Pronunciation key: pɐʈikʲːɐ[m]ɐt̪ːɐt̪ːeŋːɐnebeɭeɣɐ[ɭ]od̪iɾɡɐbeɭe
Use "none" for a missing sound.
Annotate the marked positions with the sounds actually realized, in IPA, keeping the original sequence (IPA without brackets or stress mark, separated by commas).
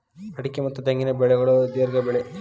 m, ɭ